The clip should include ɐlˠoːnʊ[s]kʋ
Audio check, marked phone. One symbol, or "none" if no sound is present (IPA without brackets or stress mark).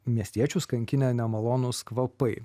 s